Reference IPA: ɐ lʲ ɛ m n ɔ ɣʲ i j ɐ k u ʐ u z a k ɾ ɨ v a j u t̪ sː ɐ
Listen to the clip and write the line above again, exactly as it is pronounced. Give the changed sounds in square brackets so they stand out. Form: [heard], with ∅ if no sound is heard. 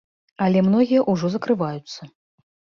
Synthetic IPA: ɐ lʲ ɛ m n ɔ ɣʲ i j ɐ [ʔ] u ʐ [ɔ] z [ɐ] k ɾ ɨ v a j u t̪ sː ɐ